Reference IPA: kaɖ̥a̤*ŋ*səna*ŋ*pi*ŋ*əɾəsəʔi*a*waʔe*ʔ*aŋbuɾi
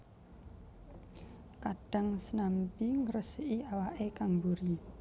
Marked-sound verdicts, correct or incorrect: correct, incorrect, correct, correct, incorrect

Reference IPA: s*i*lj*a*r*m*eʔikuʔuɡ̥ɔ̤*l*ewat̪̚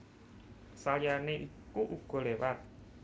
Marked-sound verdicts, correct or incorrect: incorrect, correct, incorrect, correct

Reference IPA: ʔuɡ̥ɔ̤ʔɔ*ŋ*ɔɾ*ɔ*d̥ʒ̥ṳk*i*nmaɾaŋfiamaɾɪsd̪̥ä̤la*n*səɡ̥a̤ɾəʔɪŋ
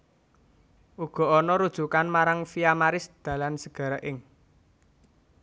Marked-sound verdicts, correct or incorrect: incorrect, incorrect, incorrect, correct

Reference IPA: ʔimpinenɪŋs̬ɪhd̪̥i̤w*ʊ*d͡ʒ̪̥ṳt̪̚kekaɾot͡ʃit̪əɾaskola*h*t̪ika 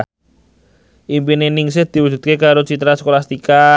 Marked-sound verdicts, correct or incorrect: incorrect, incorrect

